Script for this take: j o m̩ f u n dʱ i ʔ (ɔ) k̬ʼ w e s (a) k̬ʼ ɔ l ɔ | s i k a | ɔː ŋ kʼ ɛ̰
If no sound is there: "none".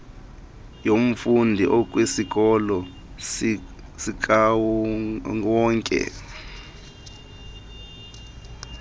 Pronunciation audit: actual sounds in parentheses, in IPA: ɔ, i

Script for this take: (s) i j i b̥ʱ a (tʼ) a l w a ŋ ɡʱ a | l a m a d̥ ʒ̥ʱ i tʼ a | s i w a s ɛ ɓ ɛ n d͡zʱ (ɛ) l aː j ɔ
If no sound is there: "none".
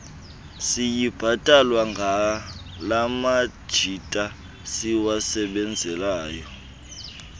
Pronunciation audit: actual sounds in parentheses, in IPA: s, tʼ, ɛ

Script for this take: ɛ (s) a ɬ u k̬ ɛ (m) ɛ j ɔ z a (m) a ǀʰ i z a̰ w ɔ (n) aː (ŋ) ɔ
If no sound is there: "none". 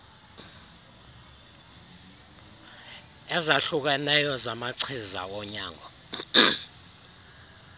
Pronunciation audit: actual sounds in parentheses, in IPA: z, n, m, ɲ, ŋ

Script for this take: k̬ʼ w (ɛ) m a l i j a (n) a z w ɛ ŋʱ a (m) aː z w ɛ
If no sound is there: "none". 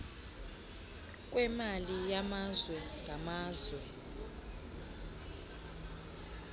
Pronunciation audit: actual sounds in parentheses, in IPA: ɛ, m, m

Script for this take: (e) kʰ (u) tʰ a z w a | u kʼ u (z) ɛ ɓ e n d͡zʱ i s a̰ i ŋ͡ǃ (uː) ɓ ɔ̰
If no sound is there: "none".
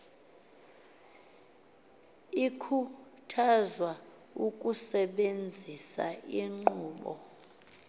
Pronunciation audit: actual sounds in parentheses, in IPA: i, u, s, uː

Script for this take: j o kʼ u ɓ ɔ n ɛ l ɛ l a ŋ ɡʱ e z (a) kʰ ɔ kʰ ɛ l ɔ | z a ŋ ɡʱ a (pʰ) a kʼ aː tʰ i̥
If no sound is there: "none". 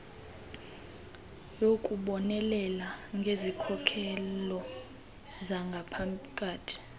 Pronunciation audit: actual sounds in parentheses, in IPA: i, pʰ

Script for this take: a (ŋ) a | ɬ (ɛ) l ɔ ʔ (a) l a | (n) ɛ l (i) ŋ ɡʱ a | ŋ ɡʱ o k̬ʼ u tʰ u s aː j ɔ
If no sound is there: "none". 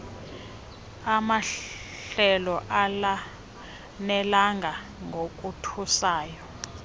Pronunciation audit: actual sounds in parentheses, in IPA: m, ɛ, a, n, a

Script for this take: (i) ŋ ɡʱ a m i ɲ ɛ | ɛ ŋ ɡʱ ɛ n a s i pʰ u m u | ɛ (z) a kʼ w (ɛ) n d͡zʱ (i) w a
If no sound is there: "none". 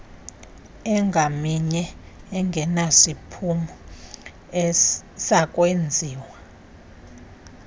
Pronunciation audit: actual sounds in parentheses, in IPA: ɛ, s, e, iː

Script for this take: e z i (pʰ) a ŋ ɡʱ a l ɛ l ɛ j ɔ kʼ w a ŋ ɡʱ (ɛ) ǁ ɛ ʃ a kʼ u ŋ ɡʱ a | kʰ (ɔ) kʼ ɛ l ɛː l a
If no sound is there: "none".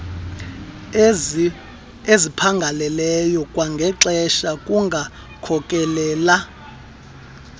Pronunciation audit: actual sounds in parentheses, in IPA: pʰ, ɛ, ɔ

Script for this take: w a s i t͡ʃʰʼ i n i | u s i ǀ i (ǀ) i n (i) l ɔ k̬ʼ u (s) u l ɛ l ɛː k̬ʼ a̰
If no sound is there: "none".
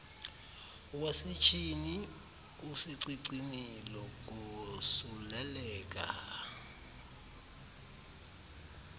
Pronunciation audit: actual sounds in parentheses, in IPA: ǀ, i, s

